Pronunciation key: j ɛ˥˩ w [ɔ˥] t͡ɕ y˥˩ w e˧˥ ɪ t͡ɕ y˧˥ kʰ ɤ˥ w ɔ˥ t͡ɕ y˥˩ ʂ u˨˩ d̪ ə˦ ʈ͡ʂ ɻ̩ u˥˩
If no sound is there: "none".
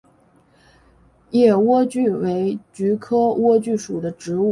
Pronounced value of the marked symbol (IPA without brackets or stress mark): ɔ˥